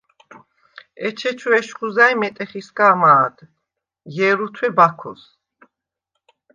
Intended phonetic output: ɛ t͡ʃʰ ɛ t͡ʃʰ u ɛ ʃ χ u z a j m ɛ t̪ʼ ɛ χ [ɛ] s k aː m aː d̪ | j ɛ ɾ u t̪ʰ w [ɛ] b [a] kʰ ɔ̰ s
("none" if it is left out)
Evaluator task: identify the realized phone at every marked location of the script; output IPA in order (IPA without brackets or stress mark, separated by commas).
i, ɛ, a